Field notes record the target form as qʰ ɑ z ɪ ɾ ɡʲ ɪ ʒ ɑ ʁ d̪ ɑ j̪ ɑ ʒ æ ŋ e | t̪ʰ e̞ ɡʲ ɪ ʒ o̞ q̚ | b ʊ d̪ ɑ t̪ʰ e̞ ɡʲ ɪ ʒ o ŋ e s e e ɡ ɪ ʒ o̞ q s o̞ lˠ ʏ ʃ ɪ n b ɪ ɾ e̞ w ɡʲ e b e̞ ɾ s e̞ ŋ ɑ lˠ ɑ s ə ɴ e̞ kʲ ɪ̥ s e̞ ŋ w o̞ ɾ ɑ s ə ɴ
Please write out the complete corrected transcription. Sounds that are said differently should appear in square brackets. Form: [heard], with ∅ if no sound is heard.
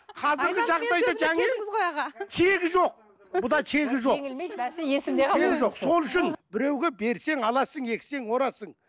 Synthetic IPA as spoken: qʰ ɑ z ɪ ɾ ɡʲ ɪ ʒ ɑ ʁ d̪ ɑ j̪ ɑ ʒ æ ŋ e | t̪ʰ e̞ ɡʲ ɪ ʒ o̞ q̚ | b ʊ d̪ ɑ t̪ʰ e̞ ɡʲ ɪ ʒ o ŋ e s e e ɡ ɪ ʒ o̞ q s o̞ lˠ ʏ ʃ ɪ n b ɪ ɾ e̞ w ɡʲ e b e̞ ɾ s e̞ ŋ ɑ lˠ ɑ s ə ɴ e̞ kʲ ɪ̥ s e̞ ŋ w o̞ ɾ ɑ s ə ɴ